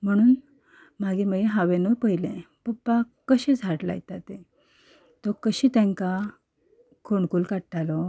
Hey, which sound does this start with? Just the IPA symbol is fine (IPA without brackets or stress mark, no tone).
m̤